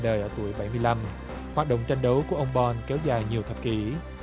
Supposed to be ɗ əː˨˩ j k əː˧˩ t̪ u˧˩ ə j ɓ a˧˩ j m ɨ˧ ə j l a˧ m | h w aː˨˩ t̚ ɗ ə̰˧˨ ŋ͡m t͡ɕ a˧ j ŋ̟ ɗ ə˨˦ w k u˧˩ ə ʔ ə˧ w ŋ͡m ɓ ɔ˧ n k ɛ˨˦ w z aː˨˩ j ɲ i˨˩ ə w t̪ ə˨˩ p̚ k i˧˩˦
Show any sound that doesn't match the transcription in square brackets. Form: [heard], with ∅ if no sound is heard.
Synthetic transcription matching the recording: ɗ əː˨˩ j [ʔ] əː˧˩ t̪ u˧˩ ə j ɓ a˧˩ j m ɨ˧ ə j l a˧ m | h w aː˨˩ t̚ ɗ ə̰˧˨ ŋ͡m t͡ɕ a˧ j ŋ̟ ɗ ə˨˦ w k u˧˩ ə ʔ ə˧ w ŋ͡m ɓ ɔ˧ n k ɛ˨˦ w z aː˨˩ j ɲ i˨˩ ə w [t̪ʰ] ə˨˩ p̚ k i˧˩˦